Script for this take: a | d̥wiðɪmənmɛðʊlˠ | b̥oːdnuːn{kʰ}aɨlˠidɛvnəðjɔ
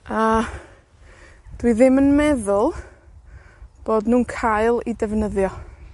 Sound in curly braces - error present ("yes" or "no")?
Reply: no